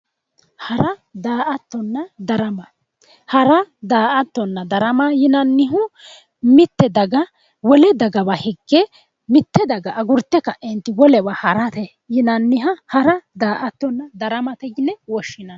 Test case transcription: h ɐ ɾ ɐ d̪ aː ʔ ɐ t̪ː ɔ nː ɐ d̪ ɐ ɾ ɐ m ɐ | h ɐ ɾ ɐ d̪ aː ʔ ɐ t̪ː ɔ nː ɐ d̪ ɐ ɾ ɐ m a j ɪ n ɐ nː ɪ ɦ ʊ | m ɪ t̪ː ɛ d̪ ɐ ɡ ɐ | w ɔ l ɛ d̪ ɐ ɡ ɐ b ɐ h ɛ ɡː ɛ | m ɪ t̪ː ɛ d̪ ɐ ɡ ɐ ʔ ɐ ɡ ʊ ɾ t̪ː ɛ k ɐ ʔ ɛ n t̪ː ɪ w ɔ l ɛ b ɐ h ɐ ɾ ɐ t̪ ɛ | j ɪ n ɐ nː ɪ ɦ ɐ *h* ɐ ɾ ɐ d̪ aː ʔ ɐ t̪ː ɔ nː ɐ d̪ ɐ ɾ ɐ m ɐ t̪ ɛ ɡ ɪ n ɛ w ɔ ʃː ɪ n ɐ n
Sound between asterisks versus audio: correct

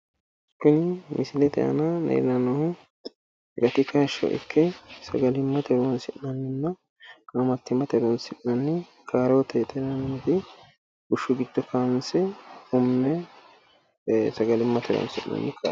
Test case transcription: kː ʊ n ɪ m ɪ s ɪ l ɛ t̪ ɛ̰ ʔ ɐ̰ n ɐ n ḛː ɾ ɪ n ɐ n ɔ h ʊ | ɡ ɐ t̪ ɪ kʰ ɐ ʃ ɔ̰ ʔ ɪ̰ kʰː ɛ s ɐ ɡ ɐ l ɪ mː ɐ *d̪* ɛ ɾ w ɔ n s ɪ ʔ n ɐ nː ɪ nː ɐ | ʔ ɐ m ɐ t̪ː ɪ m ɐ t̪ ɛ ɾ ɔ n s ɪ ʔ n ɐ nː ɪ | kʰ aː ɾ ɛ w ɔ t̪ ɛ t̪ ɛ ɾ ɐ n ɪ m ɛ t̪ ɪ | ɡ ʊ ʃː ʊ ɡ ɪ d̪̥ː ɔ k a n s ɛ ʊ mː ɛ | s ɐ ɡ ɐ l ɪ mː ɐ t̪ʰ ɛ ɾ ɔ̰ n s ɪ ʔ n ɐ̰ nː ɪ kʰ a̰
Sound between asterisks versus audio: incorrect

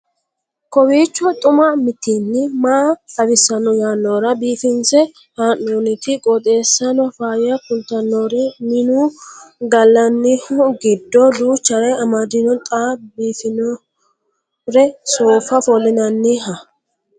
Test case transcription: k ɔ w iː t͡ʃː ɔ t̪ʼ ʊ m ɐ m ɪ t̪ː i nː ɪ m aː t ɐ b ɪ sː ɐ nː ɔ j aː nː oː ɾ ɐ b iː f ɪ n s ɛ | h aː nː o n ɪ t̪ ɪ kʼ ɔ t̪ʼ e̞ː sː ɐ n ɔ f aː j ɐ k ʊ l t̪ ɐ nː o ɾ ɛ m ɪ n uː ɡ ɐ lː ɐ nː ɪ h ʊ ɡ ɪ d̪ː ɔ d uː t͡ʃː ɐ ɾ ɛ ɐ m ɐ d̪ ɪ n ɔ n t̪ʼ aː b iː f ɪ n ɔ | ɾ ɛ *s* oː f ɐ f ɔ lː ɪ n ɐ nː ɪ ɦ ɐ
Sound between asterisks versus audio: correct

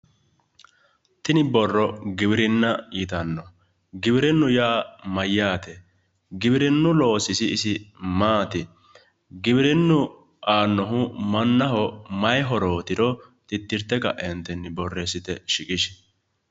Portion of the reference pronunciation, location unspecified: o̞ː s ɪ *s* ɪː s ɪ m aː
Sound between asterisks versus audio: correct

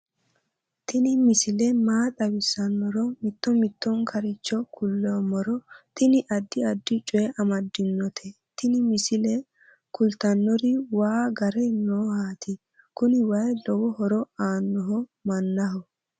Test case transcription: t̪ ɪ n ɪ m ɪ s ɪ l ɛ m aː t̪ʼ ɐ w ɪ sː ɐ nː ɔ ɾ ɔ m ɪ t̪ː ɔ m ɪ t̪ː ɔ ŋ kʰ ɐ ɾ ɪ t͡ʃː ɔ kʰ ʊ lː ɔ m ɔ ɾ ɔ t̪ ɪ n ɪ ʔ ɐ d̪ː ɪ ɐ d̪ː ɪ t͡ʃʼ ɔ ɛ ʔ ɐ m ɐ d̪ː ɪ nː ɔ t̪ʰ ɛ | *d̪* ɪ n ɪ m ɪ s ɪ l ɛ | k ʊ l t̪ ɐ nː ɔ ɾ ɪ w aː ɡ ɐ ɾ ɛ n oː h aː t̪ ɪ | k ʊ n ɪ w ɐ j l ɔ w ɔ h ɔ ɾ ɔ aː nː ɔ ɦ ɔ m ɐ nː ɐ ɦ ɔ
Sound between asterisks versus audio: incorrect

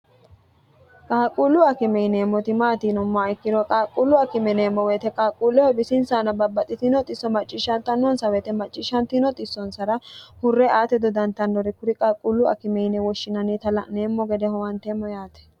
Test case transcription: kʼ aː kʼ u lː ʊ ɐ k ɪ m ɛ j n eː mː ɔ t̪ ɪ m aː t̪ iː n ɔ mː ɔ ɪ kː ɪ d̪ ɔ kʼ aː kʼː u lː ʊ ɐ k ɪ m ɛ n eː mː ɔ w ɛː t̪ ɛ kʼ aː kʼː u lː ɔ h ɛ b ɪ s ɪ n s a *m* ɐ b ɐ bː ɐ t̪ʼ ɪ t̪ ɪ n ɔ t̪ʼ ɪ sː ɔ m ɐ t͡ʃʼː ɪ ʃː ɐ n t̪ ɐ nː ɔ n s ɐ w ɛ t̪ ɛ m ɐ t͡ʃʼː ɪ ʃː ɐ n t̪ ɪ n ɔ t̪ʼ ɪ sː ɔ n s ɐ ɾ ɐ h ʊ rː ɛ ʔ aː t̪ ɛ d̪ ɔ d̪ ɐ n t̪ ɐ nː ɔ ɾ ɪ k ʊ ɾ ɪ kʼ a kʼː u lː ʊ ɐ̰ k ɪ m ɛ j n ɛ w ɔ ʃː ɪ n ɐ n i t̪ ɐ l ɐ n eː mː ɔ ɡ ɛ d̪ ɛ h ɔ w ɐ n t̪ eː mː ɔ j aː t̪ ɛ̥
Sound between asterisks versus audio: incorrect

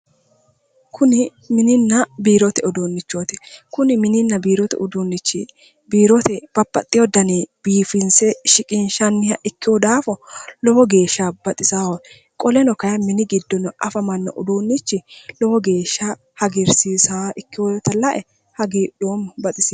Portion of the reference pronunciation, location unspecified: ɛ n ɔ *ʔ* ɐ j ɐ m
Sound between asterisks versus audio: incorrect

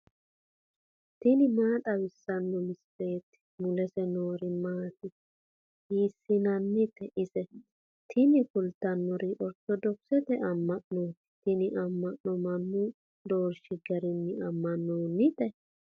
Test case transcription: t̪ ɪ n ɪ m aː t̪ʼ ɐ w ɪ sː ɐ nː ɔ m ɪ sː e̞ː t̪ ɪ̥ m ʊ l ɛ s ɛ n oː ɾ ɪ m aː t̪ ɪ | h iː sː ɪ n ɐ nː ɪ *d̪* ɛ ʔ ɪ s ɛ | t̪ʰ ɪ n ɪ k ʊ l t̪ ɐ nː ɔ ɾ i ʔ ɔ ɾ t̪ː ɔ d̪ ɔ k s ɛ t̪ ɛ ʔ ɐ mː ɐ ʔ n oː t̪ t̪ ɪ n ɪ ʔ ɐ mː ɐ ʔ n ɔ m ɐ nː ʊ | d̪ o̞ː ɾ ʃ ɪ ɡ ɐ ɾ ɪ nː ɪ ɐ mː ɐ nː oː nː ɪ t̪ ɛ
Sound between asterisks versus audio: incorrect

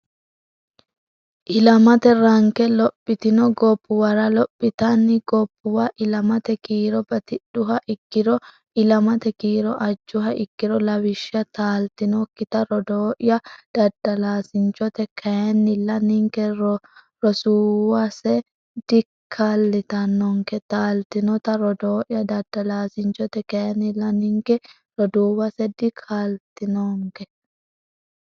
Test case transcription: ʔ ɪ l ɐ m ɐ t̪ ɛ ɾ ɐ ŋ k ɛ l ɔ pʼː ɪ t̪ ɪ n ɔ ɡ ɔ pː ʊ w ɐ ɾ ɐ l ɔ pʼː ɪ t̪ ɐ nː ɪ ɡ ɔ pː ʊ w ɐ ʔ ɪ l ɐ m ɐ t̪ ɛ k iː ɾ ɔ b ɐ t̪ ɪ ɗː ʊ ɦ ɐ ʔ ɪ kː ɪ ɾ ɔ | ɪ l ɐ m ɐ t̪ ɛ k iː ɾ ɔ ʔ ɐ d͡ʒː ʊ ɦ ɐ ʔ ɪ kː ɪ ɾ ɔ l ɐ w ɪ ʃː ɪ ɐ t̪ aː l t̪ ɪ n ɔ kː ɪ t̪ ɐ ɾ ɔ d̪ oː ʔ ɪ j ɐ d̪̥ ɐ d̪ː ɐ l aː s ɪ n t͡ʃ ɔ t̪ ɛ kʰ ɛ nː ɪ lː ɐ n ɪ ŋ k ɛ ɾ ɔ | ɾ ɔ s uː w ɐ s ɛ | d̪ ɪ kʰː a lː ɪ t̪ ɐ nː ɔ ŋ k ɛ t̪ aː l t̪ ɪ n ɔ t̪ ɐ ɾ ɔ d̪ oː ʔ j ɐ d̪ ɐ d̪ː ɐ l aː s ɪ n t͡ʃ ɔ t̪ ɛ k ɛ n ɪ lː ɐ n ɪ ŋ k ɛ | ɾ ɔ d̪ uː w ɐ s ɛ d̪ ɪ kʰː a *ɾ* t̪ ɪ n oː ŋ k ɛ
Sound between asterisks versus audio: incorrect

